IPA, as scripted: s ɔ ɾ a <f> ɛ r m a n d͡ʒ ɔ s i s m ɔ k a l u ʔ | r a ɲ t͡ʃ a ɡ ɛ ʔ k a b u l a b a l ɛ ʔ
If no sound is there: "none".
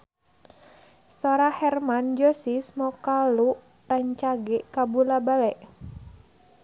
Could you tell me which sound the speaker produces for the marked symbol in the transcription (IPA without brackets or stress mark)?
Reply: h